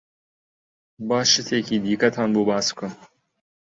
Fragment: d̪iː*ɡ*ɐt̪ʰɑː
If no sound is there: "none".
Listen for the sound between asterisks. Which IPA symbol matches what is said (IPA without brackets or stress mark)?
k